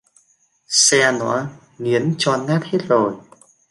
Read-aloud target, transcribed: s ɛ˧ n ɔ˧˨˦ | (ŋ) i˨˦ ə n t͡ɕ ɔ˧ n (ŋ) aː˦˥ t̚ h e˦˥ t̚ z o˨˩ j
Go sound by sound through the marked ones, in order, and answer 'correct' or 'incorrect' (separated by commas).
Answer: correct, correct